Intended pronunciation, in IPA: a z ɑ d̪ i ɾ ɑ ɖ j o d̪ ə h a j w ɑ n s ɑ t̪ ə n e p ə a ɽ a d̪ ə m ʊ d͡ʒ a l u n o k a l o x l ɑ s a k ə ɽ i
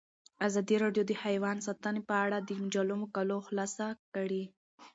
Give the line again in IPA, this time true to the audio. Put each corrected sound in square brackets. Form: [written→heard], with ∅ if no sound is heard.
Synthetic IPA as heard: a z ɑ d̪ i ɾ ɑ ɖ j o d̪ ə h a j w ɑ n s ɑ t̪ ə n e p ə a ɽ a d̪ ə m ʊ d͡ʒ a l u [n→m] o k a l o x l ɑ s a k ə ɽ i

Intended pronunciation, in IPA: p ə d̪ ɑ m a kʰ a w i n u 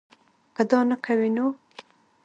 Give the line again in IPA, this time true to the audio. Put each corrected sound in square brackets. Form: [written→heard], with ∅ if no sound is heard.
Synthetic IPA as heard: [p→k] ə d̪ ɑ [m→n] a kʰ a w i n [u→o]

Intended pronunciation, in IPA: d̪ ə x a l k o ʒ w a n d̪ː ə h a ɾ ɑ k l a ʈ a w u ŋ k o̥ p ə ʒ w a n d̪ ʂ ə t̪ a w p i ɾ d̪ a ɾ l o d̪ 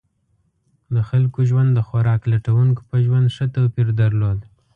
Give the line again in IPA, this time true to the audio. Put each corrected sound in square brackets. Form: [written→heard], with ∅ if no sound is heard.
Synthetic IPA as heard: d̪ ə x a l k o ʒ w a n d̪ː ə [h→x] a ɾ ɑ k l a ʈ a w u ŋ k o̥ p ə ʒ w a n d̪ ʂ ə t̪ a w p i ɾ d̪ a ɾ l o d̪

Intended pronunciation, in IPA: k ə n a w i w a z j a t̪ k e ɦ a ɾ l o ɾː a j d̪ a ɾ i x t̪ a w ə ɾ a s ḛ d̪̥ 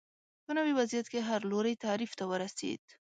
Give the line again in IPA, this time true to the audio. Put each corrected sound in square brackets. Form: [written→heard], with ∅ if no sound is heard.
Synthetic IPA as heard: [k→p] ə n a w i w a z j a t̪ k e ɦ a ɾ l o [ɾː→ɾ] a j [d̪→t̪] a ɾ i [x→f] t̪ a w ə ɾ a s ḛ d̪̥

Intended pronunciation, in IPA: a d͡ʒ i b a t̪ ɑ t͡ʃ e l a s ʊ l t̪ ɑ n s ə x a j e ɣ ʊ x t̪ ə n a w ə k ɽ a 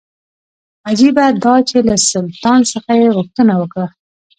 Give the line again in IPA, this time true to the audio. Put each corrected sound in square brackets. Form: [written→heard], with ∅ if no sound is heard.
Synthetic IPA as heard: a d͡ʒ i b a [t̪→d̪] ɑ t͡ʃ e l a s ʊ l t̪ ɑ n s ə x a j e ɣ ʊ x t̪ ə n a w ə k ɽ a

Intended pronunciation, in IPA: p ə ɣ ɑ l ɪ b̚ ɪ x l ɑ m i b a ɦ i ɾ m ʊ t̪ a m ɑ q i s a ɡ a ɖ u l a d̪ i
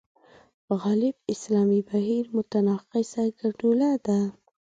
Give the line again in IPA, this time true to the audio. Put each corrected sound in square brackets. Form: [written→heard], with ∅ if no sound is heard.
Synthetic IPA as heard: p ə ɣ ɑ l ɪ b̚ ɪ [x→s] l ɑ m i b a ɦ i ɾ m ʊ t̪ a [m→n] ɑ q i s a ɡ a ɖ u l a d̪ [i→a]

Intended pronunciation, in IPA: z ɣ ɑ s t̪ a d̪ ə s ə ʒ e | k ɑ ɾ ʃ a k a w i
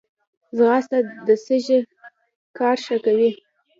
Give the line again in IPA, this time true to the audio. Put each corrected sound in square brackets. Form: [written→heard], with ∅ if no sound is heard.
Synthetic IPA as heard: z ɣ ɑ s t̪ a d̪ ə s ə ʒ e | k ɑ ɾ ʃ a k a w i

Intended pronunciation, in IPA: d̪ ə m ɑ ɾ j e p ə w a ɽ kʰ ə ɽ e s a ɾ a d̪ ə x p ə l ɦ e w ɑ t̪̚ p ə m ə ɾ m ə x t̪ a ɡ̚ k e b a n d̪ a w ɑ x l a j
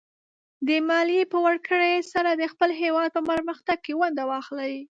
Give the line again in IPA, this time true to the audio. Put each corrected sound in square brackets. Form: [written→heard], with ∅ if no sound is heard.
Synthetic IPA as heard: d̪ ə m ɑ [ɾ→l] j e p ə w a ɽ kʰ ə ɽ e s a ɾ a d̪ ə x p ə l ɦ e w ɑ [t̪̚→d̪̚] p ə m ə ɾ m ə x t̪ a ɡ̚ k e [b→w] a n d̪ a w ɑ x l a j

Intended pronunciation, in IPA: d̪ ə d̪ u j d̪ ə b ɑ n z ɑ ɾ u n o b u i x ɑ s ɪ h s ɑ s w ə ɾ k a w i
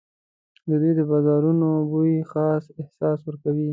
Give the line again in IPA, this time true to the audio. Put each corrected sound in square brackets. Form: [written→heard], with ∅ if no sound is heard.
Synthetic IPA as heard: d̪ ə d̪ u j d̪ ə b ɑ [n→∅] z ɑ ɾ u n o b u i x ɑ s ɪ h s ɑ s w ə ɾ k a w i

